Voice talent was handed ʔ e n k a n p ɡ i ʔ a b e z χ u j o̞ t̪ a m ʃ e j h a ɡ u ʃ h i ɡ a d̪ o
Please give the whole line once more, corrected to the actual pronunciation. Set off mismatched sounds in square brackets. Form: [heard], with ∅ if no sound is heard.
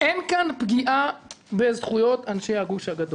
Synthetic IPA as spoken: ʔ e n k a n p ɡ i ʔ a b e z χ u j o̞ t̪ a [n] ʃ e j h a ɡ u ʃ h [a] ɡ a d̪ o